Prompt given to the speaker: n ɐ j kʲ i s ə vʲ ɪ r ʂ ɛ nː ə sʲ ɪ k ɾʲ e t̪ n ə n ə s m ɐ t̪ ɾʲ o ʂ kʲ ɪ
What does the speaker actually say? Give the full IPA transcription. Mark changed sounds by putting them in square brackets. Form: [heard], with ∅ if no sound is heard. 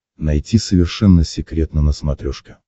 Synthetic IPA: n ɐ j [tʲ] i s ə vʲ ɪ r ʂ ɛ nː ə sʲ ɪ k ɾʲ e t̪ n ə n ə s m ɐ t̪ ɾʲ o ʂ kʲ ɪ